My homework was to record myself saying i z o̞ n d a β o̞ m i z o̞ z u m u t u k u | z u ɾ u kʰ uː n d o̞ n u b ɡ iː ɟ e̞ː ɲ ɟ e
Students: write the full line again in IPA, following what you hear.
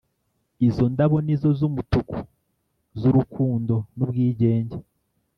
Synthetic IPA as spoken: i z o̞ n d a β o̞ n i z o̞ z u m u t u k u | z u ɾ u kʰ uː n d o̞ n u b ɡ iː ɟ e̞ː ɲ ɟ e